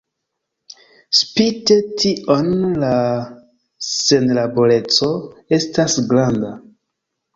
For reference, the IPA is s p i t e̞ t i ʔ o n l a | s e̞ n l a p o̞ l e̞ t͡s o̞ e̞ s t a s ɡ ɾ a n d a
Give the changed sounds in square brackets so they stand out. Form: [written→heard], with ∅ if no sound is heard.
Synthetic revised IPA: s p i t e̞ t i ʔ o n l a | s e̞ n l a [p→b] o̞ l e̞ t͡s o̞ e̞ s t a s ɡ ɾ a n d a